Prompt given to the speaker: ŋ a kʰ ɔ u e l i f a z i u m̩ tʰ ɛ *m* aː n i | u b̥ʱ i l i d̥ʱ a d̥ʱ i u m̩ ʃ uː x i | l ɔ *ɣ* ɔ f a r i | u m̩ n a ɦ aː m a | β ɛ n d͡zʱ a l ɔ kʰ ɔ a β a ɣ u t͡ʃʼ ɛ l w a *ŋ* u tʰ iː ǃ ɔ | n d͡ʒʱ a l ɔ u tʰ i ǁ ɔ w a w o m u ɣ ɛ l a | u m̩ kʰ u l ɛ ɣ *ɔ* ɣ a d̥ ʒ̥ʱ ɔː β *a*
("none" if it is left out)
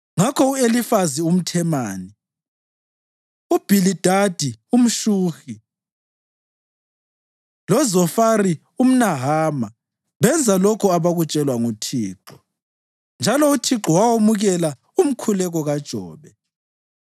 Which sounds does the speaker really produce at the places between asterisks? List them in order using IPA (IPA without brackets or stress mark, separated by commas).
m, z, ŋ, ɔ, ɛ